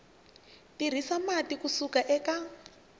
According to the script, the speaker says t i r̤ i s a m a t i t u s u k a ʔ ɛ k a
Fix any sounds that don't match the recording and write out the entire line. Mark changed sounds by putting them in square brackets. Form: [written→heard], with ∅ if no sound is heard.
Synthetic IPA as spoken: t i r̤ i s a m a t i [t→k] u s u k a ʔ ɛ k a